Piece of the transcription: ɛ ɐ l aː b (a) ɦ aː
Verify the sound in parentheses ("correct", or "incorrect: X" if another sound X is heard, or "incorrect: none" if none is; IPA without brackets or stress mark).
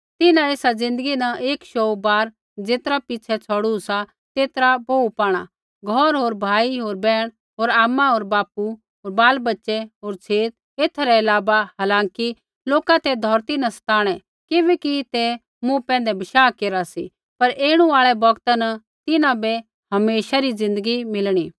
correct